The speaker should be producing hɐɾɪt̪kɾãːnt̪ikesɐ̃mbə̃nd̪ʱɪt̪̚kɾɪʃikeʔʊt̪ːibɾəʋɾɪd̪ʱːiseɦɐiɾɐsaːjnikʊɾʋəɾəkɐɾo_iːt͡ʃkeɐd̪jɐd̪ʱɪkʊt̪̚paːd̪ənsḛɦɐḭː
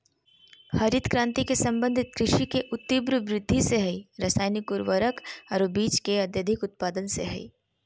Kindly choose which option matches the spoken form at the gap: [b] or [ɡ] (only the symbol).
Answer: b